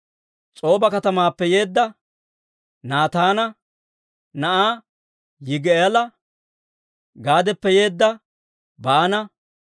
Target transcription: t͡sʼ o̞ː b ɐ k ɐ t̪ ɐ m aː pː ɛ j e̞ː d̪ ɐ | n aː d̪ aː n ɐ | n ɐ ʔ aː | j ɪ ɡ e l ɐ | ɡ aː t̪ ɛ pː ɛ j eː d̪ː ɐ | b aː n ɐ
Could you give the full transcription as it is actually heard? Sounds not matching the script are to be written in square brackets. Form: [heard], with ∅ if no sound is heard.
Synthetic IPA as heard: t͡sʼ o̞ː b ɐ k ɐ t̪ ɐ m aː pː ɛ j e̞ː [d̪ː] ɐ | n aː [t̪] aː n ɐ | n ɐ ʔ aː | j ɪ ɡ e l ɐ | ɡ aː [d̪] ɛ pː ɛ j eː d̪ː ɐ | b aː n ɐ